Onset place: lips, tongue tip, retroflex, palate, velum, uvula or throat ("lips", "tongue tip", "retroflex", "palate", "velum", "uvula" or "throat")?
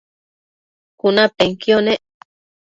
velum